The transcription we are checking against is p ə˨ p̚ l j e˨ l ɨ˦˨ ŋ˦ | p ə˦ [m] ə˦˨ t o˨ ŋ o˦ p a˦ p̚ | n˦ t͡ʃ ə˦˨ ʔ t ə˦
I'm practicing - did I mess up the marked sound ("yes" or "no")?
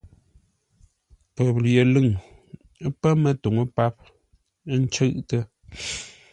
no